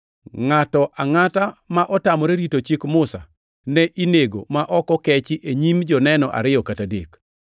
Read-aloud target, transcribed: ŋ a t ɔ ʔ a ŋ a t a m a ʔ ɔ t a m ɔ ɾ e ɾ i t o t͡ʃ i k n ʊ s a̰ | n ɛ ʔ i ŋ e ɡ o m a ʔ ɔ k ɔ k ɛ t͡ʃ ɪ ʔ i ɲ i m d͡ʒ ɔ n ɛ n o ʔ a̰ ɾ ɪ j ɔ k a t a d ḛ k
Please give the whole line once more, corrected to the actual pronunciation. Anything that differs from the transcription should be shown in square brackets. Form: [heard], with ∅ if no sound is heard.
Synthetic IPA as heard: ŋ a t ɔ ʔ a ŋ a t a m a ʔ ɔ t a m ɔ ɾ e ɾ i t o t͡ʃ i k [m] ʊ s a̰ | n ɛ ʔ i [n] e ɡ o m a ʔ ɔ k ɔ k ɛ t͡ʃ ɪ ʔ [e] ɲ i m d͡ʒ ɔ n ɛ n [ɔ] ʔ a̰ ɾ ɪ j ɔ k a t a d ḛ k